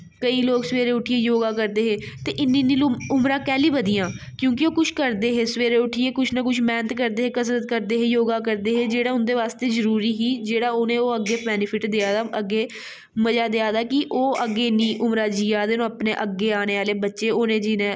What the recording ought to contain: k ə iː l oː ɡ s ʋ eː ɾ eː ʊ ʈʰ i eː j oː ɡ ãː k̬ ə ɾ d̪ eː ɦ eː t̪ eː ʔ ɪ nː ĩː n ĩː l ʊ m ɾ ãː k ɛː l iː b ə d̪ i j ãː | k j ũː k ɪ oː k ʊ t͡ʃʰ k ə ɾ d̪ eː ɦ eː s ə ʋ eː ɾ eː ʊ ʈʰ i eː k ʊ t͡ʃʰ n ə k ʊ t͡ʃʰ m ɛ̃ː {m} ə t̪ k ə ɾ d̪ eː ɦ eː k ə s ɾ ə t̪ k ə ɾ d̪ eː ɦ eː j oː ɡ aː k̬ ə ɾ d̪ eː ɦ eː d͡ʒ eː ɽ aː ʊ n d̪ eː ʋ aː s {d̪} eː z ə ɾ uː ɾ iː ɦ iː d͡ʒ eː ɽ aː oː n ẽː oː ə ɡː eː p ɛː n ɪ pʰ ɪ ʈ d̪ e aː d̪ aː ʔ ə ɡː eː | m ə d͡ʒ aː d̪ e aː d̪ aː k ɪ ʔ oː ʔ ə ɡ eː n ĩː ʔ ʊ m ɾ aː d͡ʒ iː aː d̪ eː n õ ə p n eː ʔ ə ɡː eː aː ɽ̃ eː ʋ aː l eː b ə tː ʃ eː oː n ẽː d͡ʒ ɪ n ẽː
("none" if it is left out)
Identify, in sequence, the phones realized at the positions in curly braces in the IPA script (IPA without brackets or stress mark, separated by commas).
n, t̪